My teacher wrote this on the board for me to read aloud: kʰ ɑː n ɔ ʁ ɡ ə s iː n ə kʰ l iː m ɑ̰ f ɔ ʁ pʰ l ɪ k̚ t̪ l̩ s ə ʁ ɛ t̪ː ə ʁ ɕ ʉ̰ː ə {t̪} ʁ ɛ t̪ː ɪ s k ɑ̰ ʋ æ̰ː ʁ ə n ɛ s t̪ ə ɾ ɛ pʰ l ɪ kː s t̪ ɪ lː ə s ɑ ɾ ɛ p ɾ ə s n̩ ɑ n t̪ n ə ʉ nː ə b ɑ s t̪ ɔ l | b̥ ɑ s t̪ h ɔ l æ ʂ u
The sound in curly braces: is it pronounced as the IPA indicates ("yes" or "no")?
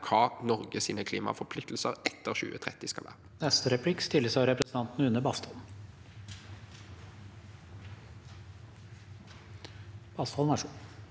no